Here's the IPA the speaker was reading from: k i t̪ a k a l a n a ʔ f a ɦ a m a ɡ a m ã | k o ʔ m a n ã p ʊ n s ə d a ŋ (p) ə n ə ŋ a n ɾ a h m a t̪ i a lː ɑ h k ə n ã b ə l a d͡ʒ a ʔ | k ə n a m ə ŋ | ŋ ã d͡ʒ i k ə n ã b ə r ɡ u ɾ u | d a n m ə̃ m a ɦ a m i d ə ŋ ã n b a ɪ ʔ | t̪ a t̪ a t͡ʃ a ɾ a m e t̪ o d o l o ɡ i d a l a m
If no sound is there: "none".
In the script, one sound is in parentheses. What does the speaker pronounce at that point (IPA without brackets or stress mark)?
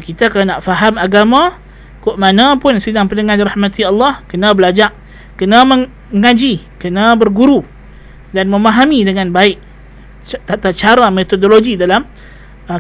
p